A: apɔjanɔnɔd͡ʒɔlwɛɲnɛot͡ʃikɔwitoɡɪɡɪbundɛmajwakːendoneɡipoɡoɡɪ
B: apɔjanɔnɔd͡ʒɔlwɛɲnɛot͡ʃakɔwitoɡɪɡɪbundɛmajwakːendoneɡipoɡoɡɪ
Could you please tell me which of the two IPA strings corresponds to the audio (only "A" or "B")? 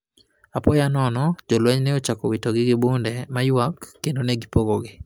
B